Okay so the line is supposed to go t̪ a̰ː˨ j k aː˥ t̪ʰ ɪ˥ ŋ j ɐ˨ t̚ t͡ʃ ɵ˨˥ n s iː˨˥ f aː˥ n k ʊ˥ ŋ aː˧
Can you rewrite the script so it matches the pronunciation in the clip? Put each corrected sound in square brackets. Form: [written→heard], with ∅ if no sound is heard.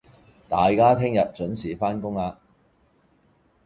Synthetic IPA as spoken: t̪ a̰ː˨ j k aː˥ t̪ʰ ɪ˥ ŋ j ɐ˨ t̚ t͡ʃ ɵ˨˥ n s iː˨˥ f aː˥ n k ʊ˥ ŋ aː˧